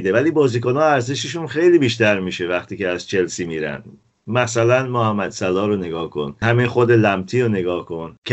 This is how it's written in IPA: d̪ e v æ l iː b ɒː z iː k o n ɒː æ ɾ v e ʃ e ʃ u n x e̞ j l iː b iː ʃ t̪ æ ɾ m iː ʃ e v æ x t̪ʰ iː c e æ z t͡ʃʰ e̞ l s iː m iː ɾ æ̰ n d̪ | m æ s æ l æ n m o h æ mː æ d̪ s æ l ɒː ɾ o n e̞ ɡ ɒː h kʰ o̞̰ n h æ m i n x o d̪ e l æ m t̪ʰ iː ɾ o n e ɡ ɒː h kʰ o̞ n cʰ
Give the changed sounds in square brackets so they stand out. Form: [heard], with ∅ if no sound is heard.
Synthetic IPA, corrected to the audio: d̪ e v æ l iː b ɒː z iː k o n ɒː æ ɾ [z] e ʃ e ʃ u n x e̞ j l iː b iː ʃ t̪ æ ɾ m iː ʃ e v æ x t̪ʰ iː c e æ z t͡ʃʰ e̞ l s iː m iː ɾ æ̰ n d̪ | m æ s æ l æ n m o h æ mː æ d̪ s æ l ɒː ɾ o n e̞ ɡ ɒː h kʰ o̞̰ n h æ m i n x o d̪ e l æ m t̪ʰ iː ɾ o n e ɡ ɒː h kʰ o̞ n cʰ